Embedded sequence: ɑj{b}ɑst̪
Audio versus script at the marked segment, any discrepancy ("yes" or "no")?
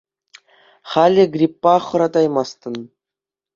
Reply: yes